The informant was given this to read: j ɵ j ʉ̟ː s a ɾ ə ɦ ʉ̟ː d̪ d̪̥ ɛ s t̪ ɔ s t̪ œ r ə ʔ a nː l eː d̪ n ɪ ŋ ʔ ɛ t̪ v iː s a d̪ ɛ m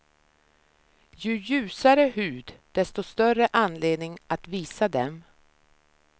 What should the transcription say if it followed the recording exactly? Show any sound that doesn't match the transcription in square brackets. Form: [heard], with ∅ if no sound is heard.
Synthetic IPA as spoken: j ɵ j ʉ̟ː s a ɾ ə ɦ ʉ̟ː d̪ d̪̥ ɛ s t̪ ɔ s t̪ œ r ə ʔ a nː l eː d̪ n ɪ ŋ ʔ [a] t̪ v iː s a d̪ ɛ m